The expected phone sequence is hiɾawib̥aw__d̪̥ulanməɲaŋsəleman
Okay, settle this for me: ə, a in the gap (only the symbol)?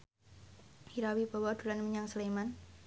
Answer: a